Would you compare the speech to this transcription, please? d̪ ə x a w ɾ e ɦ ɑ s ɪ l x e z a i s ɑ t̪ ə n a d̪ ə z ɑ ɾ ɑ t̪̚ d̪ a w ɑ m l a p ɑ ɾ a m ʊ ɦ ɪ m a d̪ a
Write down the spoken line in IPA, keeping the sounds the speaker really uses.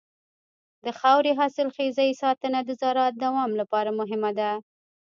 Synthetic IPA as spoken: d̪ ə x a w ɾ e ɦ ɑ s ɪ l x e z a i s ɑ t̪ ə n a d̪ ə z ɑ ɾ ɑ t̪̚ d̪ a w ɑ m l a p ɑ ɾ a m ʊ ɦ ɪ m a d̪ a